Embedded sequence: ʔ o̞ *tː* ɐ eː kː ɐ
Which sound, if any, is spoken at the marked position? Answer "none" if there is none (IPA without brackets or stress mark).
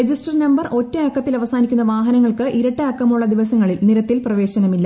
tː